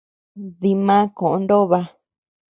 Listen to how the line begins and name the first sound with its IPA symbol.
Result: ð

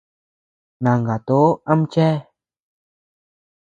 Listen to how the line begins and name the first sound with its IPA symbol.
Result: n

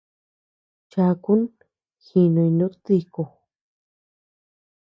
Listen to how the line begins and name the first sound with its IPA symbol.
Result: t͡ʃ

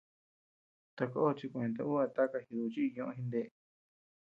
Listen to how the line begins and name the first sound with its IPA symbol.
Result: t̪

